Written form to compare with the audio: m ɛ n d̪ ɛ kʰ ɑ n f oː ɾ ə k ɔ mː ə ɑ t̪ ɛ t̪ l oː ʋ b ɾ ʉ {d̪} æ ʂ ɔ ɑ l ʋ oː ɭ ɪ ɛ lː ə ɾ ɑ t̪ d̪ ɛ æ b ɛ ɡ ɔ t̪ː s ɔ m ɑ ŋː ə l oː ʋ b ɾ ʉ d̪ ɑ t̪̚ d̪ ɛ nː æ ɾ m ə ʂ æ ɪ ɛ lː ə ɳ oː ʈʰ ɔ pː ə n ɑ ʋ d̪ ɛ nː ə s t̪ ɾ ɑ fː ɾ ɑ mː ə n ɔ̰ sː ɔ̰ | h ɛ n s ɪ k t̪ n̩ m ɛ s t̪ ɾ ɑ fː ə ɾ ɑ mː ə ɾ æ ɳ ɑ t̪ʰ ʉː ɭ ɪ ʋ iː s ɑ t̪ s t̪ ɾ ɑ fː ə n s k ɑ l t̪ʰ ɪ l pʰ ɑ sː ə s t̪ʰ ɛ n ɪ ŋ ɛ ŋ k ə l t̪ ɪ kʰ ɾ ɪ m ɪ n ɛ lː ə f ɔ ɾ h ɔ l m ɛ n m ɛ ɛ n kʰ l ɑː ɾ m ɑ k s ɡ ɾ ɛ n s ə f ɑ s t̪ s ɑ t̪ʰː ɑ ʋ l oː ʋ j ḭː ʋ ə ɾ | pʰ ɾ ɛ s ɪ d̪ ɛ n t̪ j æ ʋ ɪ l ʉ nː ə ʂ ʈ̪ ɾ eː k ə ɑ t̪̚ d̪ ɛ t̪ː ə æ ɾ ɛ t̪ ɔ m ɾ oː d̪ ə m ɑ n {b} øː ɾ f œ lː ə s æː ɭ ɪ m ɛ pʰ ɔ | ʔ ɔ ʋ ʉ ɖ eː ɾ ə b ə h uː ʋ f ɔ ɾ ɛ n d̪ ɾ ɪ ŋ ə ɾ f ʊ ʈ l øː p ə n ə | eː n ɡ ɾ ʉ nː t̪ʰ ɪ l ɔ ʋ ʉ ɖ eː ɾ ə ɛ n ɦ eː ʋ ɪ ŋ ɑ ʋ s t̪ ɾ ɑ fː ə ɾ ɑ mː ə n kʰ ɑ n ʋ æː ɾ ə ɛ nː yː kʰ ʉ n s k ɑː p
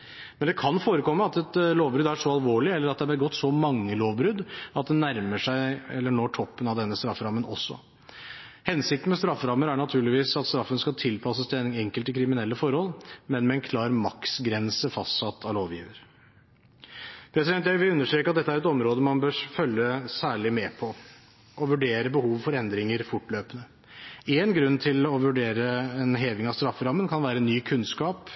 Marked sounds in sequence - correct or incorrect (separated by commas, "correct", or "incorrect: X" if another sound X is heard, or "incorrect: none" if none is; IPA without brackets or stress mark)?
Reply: correct, correct